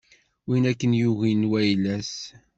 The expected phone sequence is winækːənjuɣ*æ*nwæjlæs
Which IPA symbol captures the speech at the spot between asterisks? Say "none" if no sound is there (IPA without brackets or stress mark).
i